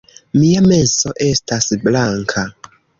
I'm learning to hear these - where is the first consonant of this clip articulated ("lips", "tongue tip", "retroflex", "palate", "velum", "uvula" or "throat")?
lips